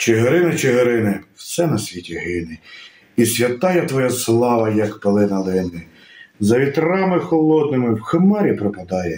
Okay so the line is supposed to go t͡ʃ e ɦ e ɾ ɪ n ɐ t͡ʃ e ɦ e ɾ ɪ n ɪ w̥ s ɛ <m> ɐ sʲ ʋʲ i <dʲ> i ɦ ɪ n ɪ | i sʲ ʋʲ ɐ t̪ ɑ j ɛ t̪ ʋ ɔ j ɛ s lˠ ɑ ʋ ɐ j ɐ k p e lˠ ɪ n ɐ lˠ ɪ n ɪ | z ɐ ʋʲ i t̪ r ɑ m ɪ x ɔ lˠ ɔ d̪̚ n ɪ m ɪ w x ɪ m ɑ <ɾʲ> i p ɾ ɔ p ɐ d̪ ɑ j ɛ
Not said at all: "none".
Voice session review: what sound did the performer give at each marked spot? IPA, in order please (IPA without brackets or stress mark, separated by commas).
n, tʲ, ɾʲ